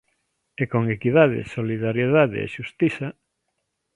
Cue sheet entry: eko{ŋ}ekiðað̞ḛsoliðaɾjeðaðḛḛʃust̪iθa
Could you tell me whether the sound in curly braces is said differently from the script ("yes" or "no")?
no